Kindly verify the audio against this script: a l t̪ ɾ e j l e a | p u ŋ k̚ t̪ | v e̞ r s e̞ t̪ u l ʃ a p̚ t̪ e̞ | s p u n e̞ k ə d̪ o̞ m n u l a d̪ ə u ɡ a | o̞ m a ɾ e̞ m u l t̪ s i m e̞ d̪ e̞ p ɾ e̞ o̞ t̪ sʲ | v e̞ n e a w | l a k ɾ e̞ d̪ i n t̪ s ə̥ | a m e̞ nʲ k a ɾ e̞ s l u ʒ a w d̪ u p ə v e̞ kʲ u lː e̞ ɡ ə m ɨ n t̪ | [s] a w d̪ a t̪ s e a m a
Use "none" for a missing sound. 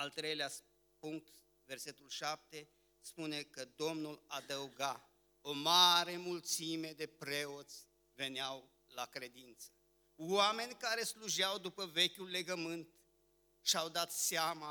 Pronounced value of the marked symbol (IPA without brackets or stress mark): ʃ